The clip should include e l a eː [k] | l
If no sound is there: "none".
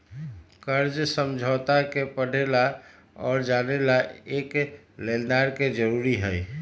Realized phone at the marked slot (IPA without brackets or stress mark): k